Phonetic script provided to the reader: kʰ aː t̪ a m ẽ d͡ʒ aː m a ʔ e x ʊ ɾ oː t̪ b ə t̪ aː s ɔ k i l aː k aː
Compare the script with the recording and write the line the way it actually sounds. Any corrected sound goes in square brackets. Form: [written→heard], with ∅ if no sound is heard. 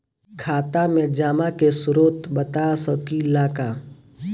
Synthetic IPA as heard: kʰ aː t̪ a m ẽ d͡ʒ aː m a [ʔ→k] e [x→s] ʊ ɾ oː t̪ b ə t̪ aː s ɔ k i l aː k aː